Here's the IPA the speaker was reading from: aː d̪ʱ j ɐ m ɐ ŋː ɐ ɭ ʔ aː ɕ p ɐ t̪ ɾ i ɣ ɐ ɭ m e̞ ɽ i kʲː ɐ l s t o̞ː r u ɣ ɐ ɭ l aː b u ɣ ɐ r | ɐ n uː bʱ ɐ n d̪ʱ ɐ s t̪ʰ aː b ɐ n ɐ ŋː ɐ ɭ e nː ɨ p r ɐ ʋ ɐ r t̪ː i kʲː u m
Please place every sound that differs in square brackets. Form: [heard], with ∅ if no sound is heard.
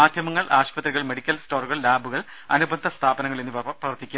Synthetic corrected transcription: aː d̪ʱ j ɐ m ɐ ŋː ɐ ɭ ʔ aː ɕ p ɐ t̪ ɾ i ɣ ɐ ɭ m e̞ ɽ i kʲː ɐ l s t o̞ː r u ɣ ɐ ɭ l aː b u ɣ ɐ [ɭ] | ɐ n [u] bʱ ɐ n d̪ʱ ɐ s t̪ʰ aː b ɐ n ɐ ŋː ɐ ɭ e nː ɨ p r ɐ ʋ ɐ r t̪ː i kʲː u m